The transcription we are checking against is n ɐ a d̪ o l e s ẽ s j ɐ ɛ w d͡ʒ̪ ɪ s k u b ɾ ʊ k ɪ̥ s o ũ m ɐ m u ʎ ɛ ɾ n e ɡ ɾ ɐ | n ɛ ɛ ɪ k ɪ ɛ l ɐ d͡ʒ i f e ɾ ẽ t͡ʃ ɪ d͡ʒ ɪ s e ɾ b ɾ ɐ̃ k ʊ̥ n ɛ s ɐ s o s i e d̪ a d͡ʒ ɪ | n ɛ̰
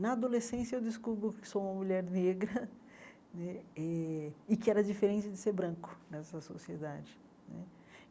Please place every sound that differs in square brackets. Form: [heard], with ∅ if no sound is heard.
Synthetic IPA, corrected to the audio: n ɐ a d̪ o l e s ẽ s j ɐ [e] w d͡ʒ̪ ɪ s k u b ɾ ʊ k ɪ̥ s o ũ m ɐ m u ʎ ɛ ɾ n e ɡ ɾ ɐ | n ɛ ɛ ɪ k ɪ ɛ [ɾ] ɐ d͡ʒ i f e ɾ ẽ t͡ʃ ɪ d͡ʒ ɪ s e ɾ b ɾ ɐ̃ k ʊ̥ n ɛ s ɐ s o s i e d̪ a d͡ʒ ɪ | n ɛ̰